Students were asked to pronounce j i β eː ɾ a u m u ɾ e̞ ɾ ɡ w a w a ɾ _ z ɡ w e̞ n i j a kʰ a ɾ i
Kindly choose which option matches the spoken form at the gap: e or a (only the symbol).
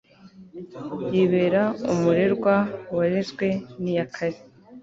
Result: e